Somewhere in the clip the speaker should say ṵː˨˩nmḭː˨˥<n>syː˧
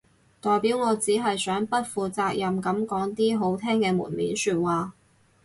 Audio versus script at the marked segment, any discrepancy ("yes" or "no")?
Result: no